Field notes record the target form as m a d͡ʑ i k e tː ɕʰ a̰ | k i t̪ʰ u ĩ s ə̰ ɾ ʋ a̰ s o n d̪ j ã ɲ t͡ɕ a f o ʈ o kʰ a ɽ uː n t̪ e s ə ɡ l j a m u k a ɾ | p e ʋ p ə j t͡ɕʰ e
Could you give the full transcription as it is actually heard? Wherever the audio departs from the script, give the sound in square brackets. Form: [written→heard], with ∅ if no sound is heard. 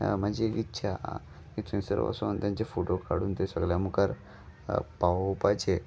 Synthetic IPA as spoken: m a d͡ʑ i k [e→i] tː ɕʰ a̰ | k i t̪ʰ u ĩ s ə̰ ɾ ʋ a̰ s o n [d̪→t̪] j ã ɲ t͡ɕ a f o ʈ o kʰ a ɽ uː n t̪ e s ə ɡ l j a m u k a ɾ | p [e→a] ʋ p [ə→a] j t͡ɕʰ e